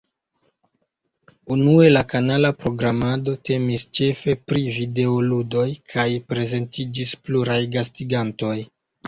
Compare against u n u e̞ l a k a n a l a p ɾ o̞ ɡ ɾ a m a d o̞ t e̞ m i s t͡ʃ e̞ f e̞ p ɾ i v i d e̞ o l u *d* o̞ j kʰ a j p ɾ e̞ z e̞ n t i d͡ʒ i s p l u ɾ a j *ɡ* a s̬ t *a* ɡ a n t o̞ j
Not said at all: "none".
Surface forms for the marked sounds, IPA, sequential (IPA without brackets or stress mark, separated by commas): d, ɡ, i